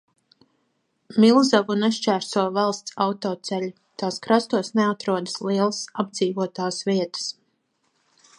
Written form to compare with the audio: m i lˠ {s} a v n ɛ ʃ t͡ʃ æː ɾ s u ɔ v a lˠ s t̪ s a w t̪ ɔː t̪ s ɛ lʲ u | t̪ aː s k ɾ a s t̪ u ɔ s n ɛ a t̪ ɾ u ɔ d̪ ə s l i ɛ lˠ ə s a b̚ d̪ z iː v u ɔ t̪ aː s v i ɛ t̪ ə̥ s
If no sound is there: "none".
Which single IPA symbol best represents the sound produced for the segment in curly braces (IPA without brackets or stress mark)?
z